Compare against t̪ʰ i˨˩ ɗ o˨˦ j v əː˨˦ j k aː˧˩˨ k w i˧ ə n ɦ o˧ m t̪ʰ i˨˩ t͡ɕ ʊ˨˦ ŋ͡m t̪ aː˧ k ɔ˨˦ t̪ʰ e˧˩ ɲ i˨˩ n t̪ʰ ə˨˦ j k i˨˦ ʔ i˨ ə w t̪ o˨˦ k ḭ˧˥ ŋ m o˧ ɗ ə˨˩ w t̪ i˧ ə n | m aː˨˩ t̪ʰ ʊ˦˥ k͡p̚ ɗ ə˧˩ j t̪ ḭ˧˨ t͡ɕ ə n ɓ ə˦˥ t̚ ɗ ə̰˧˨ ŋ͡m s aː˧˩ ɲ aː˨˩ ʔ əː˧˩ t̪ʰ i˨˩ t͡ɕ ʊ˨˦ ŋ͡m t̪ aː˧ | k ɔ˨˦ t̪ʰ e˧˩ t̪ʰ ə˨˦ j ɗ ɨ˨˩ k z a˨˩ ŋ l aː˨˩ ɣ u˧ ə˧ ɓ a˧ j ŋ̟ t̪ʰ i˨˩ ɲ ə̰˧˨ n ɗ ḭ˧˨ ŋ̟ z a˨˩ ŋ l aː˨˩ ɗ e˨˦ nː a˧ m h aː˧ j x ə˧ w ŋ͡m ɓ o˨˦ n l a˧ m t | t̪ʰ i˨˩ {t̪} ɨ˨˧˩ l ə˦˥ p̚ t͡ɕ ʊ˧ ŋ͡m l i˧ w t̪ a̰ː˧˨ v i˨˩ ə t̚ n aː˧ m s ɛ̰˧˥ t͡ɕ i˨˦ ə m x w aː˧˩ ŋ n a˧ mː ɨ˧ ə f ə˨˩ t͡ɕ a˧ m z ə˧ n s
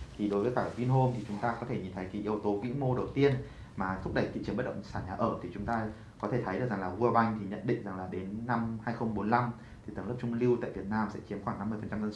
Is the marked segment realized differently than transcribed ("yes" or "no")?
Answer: no